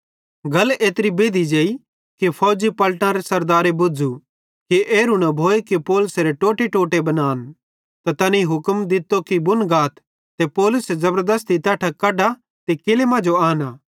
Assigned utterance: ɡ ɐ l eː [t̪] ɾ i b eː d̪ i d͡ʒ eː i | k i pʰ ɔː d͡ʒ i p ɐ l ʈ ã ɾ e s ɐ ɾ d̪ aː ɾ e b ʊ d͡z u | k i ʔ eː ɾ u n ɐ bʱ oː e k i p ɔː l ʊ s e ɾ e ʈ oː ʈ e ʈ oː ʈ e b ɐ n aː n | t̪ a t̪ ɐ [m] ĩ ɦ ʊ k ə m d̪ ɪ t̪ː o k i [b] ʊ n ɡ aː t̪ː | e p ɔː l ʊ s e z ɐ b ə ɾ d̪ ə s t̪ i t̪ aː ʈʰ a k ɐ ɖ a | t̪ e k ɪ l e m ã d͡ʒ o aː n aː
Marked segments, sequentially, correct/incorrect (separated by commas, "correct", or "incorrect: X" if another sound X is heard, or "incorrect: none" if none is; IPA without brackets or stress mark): correct, incorrect: n, correct